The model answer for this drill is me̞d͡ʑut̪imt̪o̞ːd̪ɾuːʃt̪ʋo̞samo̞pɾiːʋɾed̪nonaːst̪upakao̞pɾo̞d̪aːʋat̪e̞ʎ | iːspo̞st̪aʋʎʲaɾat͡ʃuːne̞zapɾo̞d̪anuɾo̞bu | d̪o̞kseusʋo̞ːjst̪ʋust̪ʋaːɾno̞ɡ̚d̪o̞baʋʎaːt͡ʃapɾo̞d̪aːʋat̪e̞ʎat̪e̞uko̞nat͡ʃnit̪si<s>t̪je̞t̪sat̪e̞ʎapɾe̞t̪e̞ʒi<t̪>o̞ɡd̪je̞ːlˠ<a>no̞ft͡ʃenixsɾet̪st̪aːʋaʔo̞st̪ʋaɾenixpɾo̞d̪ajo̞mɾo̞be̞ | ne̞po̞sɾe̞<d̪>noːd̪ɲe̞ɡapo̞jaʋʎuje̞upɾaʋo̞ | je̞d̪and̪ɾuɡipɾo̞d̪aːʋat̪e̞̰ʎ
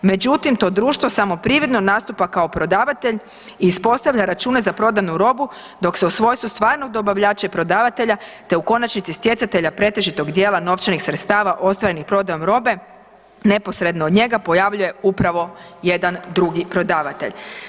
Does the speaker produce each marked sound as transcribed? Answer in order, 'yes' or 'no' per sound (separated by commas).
yes, yes, yes, yes